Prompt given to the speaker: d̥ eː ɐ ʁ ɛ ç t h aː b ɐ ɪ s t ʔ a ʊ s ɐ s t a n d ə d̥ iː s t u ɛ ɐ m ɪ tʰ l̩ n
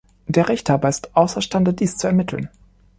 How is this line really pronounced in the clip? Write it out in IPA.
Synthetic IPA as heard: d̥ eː ɐ ʁ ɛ ç t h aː b ɐ ɪ s t ʔ a ʊ s ɐ ʃ t a n d ə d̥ iː s t͡s u ɛ ɐ m ɪ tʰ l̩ n